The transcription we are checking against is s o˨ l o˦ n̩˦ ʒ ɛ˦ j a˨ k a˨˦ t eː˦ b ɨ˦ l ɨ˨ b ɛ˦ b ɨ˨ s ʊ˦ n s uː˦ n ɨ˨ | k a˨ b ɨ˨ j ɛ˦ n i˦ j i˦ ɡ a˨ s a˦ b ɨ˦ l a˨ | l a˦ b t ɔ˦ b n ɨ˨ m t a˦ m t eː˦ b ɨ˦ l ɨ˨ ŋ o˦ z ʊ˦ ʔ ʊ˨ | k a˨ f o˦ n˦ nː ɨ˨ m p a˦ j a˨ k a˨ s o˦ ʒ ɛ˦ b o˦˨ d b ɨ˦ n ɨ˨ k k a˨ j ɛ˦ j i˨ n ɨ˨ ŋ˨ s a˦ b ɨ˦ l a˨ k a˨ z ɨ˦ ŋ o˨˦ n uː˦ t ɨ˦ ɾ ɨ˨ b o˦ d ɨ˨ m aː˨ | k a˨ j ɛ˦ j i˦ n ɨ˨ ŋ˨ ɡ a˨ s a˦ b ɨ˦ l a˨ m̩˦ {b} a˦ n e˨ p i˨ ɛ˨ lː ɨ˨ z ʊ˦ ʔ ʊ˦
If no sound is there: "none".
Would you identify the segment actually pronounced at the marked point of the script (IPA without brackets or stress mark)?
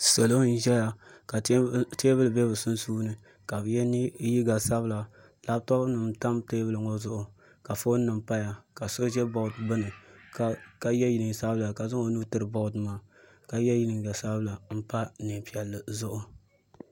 p